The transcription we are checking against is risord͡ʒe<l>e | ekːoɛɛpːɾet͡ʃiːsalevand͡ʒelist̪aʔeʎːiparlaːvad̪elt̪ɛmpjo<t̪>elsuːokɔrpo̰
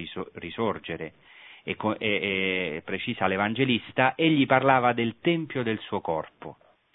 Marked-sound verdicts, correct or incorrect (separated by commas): incorrect, incorrect